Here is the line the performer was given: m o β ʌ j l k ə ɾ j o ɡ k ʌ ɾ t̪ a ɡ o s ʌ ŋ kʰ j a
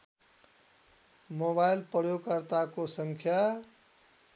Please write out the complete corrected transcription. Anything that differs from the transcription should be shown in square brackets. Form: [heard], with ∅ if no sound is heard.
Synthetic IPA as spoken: m o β [a] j l [p] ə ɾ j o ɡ k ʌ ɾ t̪ a [k] o s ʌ ŋ kʰ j a